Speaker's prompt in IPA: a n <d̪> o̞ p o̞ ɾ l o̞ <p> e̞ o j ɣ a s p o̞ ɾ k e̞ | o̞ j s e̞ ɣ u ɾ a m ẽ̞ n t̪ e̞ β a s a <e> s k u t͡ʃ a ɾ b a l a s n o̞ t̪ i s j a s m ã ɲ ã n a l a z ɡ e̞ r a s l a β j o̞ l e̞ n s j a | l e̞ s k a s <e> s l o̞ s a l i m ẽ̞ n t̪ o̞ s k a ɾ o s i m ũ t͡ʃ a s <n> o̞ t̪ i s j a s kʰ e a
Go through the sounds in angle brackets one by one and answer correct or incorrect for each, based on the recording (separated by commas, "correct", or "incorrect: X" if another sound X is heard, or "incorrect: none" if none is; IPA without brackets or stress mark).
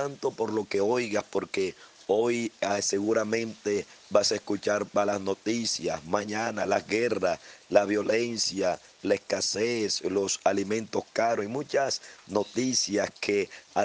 incorrect: t̪, incorrect: k, correct, correct, correct